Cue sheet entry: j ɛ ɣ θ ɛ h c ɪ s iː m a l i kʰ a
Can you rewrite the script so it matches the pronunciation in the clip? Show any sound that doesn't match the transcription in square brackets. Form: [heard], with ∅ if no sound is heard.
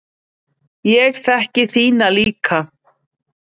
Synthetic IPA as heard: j ɛ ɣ θ ɛ h c ɪ [θ] iː [n] a l [iː] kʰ a